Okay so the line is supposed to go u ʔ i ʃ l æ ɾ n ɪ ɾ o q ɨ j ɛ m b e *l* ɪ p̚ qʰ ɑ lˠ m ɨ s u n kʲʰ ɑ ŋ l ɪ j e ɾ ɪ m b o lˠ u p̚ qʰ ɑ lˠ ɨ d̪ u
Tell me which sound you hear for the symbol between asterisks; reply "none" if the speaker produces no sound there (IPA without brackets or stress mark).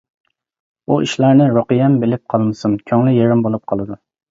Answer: l